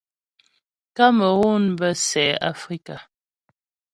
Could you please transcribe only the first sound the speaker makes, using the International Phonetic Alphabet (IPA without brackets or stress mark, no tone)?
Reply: k